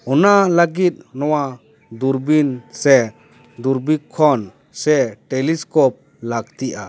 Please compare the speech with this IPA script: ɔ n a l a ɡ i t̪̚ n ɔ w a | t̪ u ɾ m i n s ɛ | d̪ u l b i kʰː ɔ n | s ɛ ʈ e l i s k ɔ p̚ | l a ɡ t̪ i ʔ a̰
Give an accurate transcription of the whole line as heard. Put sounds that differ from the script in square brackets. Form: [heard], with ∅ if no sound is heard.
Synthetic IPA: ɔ n a l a ɡ i t̪̚ n ɔ w a | [d̪] u ɾ [b] i n s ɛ | d̪ u [ɾ] b i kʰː ɔ n | s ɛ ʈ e l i s k ɔ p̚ | l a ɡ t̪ i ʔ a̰